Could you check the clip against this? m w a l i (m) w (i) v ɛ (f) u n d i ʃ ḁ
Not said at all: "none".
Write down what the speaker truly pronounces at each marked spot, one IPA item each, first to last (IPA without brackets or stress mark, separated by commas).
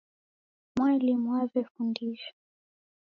m, a, f